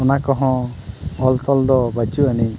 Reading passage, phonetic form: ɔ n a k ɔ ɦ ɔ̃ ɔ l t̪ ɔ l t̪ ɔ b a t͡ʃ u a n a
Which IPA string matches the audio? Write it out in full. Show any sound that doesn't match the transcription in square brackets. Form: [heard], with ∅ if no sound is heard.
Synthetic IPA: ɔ n a k ɔ ɦ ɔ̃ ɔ l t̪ ɔ l [d̪] ɔ b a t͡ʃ u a n [i]